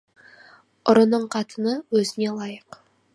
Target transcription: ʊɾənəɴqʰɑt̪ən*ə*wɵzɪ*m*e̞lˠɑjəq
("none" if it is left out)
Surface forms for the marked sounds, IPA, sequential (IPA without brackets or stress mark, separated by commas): ə, n